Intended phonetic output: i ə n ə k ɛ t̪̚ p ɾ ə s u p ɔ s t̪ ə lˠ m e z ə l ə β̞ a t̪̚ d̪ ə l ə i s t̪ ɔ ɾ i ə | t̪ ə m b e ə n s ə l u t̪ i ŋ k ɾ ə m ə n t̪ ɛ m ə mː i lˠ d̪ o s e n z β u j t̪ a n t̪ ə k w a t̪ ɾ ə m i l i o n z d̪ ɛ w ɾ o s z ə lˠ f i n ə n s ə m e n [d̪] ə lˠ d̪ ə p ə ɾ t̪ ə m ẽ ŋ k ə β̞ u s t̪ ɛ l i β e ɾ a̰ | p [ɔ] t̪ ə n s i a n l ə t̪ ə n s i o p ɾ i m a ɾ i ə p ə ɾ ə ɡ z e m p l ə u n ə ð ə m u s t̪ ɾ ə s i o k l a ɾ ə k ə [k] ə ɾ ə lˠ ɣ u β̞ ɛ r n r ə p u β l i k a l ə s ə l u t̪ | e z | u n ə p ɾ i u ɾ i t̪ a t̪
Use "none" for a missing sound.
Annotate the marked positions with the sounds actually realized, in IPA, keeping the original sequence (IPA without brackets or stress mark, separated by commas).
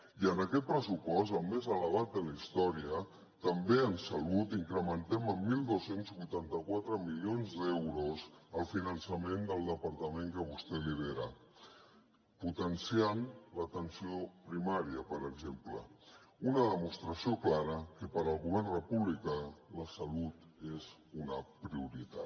d̪, u, p